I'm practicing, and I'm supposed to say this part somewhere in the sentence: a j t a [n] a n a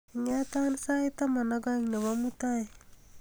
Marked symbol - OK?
no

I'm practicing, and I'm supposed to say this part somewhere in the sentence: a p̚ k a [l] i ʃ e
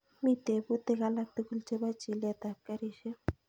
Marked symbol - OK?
no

